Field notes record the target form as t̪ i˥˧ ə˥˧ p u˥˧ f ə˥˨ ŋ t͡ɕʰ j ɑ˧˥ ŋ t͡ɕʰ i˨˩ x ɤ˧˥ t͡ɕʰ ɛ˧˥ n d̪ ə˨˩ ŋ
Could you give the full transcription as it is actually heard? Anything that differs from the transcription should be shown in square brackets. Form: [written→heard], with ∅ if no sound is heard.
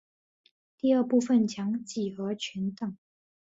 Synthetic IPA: t̪ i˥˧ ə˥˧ p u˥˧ f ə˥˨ [ŋ→n] t͡ɕʰ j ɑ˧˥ ŋ [t͡ɕʰ→t͡ɕ] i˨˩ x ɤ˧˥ t͡ɕʰ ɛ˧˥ n [d̪→t̪] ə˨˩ ŋ